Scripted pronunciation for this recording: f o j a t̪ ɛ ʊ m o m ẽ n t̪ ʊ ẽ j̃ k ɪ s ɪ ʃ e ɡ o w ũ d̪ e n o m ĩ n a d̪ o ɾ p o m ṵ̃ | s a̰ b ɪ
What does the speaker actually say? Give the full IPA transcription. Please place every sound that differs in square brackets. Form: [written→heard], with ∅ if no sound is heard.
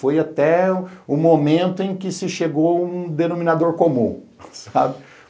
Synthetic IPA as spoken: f o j a t̪ ɛ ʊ m o m ẽ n t̪ ʊ ẽ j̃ k ɪ s ɪ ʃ e ɡ o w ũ d̪ e n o m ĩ n a d̪ o ɾ [p→k] o m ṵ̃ | s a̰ b ɪ